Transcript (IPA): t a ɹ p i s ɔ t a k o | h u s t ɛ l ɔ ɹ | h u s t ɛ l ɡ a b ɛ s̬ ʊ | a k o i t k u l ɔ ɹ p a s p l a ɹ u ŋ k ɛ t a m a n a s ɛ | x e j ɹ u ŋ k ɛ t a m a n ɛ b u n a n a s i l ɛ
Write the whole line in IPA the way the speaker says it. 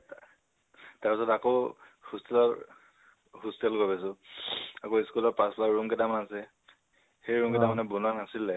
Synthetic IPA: t a ɹ p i s ɔ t a k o | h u s t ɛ l ɔ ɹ | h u s t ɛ l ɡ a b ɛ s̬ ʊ | a k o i s k u l ɔ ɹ p a s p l a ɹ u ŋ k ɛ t a m a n a s ɛ | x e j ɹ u ŋ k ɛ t a m a n ɛ b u n a n a s i l ɛ